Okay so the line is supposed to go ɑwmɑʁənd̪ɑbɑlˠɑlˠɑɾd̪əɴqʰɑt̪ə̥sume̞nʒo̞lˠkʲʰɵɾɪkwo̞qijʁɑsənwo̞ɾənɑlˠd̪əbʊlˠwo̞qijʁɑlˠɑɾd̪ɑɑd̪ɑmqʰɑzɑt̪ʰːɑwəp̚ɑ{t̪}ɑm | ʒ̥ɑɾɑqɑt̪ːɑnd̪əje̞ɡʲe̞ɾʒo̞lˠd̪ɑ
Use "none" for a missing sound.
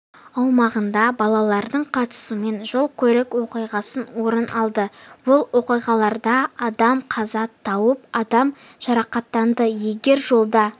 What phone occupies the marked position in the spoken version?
d̪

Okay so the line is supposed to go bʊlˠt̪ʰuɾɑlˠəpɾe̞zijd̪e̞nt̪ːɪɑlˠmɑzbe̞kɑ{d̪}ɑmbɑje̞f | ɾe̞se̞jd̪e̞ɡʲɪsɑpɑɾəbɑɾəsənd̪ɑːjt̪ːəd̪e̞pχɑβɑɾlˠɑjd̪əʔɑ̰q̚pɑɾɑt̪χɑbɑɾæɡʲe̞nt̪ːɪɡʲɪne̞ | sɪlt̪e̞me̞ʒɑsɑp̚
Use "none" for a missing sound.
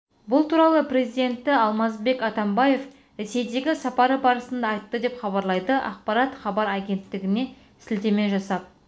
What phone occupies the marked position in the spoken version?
t̪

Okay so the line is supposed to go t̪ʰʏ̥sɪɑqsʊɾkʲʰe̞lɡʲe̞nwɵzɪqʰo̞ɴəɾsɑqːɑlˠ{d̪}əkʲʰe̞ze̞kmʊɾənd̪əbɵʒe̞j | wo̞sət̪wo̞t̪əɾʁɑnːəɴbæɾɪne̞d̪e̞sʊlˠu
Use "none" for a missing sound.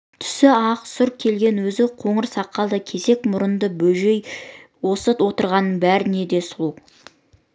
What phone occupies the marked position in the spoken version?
d̪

